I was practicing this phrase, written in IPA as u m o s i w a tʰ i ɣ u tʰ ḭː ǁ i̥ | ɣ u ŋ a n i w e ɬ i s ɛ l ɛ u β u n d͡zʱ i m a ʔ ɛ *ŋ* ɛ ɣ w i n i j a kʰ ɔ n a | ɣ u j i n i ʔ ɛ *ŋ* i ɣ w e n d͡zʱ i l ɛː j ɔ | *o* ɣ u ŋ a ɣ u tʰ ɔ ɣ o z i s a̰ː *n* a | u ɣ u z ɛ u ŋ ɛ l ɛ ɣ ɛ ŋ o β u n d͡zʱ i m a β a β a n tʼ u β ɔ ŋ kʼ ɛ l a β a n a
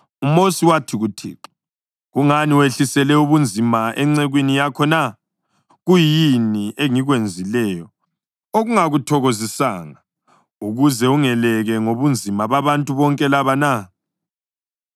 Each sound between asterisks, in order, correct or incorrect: incorrect: ŋ͡ǀ, correct, correct, incorrect: ŋ

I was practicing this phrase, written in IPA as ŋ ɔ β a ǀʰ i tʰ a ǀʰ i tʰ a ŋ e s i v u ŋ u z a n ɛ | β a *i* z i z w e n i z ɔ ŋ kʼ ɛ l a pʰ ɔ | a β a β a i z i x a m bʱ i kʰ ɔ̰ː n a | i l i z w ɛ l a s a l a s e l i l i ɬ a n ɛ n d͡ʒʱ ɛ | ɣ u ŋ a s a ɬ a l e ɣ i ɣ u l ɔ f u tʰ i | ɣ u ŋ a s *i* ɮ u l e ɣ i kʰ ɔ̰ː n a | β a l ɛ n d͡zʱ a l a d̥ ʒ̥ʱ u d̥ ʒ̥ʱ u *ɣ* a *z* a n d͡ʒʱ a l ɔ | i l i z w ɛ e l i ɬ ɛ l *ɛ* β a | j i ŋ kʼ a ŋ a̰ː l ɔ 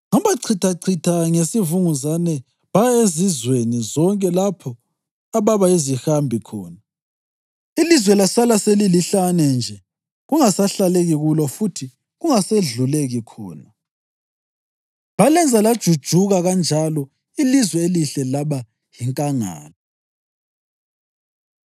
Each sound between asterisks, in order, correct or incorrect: incorrect: e, incorrect: e, correct, incorrect: ɣ, incorrect: a

